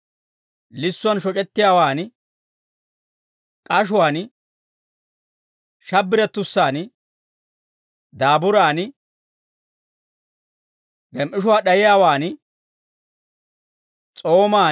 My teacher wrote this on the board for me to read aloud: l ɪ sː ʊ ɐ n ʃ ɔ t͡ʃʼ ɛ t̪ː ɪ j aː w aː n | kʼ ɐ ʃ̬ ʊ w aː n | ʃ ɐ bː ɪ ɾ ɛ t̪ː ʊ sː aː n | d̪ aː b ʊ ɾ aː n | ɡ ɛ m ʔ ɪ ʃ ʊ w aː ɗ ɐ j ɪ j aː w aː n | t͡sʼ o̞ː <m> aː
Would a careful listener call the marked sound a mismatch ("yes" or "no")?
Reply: no